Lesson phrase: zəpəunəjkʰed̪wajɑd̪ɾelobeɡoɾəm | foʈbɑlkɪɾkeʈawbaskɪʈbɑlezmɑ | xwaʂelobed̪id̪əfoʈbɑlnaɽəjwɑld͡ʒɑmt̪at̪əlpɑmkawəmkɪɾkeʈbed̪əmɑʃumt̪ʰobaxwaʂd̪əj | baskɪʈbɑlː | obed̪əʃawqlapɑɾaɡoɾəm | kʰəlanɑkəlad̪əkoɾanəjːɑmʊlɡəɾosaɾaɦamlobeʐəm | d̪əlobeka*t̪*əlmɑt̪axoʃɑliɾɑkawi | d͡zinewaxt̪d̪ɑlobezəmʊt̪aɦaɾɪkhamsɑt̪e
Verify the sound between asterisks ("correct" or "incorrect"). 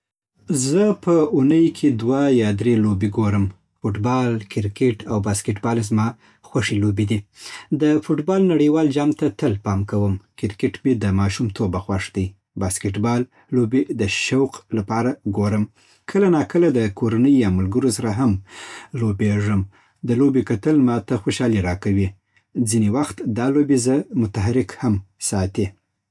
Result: correct